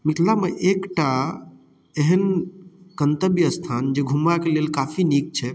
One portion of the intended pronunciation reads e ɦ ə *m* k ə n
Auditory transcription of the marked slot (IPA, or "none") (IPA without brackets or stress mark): n